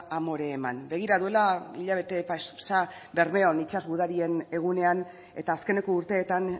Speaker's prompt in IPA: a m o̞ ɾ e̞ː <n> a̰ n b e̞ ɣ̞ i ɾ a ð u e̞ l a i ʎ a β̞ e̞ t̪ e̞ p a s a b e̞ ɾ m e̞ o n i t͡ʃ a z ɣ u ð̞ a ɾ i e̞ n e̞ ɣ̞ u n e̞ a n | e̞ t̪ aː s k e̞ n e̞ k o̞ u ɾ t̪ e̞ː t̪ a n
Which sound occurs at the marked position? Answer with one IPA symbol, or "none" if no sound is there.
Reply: m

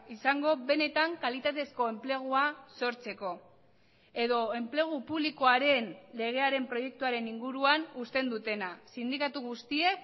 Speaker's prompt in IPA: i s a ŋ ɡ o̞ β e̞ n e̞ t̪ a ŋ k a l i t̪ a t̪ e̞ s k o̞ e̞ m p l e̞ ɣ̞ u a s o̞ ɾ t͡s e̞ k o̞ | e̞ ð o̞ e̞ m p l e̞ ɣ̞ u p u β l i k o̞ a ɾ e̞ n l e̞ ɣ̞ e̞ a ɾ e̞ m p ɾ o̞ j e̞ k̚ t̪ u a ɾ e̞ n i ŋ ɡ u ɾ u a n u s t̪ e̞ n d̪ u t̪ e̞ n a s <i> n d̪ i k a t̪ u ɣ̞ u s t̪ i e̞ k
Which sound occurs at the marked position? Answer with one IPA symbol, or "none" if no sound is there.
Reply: i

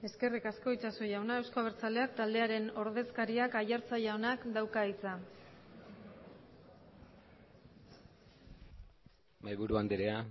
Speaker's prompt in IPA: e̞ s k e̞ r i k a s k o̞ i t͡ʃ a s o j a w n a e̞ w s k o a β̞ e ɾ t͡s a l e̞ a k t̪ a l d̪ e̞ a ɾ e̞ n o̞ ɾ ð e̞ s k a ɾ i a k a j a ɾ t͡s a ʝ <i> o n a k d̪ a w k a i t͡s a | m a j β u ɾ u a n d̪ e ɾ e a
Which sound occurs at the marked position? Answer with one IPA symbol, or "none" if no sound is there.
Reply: a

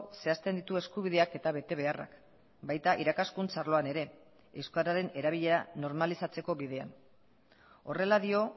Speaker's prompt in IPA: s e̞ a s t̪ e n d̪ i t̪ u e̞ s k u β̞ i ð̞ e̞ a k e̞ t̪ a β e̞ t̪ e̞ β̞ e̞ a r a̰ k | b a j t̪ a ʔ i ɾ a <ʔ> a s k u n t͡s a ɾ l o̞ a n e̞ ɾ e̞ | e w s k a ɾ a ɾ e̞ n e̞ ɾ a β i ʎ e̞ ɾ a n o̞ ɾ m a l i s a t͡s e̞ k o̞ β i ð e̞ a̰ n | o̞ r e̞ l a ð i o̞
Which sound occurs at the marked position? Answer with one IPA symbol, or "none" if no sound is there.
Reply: k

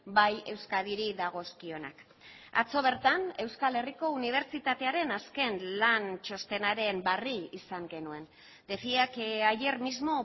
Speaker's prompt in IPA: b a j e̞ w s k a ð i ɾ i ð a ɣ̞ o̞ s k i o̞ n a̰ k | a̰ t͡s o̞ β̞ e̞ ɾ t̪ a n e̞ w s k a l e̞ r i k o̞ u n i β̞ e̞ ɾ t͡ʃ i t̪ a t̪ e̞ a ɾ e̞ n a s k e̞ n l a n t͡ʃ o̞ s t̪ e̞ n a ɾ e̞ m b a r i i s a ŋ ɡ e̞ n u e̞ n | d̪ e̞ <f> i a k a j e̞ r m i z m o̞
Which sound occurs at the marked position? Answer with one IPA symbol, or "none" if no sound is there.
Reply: f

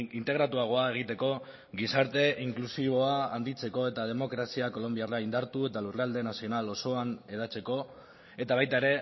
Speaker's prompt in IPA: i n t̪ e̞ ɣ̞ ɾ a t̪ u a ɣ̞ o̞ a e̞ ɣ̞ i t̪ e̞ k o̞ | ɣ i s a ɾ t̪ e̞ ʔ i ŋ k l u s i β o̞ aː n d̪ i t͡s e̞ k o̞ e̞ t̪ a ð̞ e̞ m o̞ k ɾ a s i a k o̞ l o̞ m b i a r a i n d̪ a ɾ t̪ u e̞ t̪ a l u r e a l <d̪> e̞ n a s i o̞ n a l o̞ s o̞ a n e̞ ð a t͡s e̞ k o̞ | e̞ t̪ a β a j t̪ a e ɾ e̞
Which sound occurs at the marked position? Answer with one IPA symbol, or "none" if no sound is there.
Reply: d̪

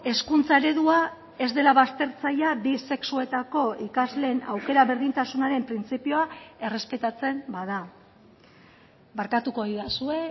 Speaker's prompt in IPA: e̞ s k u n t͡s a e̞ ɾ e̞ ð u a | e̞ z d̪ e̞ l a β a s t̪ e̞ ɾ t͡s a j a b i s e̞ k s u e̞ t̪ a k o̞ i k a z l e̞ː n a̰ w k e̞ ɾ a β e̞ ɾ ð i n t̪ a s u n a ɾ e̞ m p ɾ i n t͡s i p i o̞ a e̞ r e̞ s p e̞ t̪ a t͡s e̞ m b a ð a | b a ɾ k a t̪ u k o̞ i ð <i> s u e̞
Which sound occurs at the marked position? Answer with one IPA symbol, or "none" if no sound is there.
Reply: a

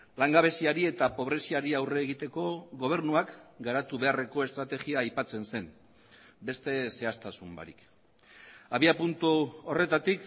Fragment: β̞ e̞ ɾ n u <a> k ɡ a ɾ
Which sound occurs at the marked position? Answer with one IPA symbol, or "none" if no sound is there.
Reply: a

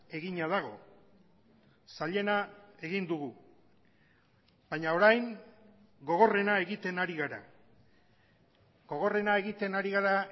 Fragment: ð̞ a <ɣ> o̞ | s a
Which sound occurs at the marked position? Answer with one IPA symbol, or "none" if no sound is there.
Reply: ɣ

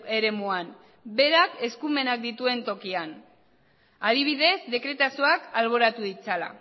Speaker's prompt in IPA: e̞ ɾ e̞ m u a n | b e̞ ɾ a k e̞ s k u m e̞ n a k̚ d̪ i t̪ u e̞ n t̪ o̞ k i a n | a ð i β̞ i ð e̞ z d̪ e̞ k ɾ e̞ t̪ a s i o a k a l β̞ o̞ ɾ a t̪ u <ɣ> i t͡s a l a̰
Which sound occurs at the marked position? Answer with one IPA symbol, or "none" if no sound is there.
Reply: ð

